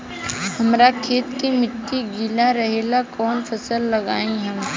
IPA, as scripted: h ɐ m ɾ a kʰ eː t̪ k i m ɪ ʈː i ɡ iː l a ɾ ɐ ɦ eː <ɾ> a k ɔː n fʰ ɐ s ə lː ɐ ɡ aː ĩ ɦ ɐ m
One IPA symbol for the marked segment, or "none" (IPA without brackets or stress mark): l